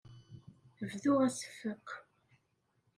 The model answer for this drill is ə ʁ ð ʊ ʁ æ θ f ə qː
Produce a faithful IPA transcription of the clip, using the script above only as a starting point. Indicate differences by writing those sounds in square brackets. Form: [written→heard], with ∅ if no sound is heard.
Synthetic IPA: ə [ʁ→v] ð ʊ ʁ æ [θ→s] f ə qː